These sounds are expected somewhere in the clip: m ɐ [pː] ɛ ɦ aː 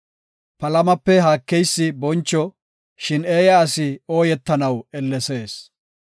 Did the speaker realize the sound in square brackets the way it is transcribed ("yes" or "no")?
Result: yes